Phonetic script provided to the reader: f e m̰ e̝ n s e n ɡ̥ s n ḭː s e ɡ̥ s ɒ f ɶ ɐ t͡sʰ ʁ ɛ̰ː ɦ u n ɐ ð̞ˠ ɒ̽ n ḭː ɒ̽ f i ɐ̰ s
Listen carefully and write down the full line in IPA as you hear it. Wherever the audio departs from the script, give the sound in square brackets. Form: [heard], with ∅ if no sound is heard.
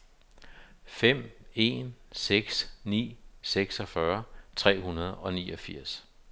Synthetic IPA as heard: f e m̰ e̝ n s e [∅] ɡ̥ s n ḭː s e ɡ̥ s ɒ f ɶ ɐ t͡sʰ ʁ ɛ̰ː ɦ u n ɐ ð̞ˠ ɒ̽ n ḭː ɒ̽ f i ɐ̰ s

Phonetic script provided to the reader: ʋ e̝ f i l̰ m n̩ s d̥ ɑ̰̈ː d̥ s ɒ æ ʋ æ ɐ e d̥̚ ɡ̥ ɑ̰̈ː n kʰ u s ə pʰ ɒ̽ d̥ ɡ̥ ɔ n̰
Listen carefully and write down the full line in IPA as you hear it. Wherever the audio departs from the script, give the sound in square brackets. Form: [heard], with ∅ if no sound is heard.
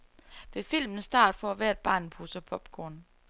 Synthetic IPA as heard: ʋ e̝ f i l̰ m n̩ s d̥ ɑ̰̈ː d̥ [f] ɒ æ ʋ æ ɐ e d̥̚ [b̥] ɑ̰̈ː n [pʰ] u s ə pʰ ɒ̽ [b̥] ɡ̥ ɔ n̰

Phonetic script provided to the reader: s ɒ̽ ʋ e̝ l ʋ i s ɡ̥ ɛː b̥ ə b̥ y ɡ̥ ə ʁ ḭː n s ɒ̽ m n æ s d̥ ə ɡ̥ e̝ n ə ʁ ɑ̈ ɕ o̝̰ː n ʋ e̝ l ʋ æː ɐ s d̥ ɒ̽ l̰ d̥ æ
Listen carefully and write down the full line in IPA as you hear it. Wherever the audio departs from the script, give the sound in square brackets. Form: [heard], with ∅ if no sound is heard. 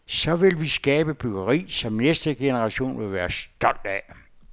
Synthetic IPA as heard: s ɒ̽ ʋ e̝ l ʋ i s ɡ̥ ɛː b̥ ə b̥ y ɡ̥ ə ʁ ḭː [∅] s ɒ̽ m n [e] s d̥ ə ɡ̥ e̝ n ə ʁ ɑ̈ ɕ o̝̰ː n ʋ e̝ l ʋ æː ɐ s d̥ ɒ̽ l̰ d̥ æ

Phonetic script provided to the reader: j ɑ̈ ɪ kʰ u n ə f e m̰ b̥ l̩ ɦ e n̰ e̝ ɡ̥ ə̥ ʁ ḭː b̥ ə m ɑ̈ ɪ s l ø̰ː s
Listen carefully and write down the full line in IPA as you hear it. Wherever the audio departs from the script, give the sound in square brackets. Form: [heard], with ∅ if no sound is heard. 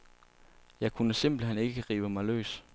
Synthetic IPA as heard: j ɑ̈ ɪ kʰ u n ə [s] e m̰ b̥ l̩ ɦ e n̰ e̝ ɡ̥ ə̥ ʁ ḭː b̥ ə m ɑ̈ ɪ [∅] l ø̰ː s

